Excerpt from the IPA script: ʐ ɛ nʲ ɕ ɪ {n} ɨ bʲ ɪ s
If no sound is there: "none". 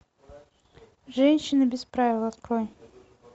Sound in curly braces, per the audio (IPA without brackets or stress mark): n